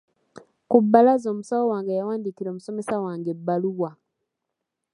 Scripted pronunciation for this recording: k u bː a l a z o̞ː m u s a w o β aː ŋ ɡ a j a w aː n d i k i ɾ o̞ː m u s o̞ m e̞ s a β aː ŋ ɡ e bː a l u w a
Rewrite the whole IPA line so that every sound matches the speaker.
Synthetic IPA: k u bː a l a z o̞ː m u s a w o w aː ŋ ɡ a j a w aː n d i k i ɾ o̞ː m u s o̞ m e̞ s a w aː ŋ ɡ e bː a l u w a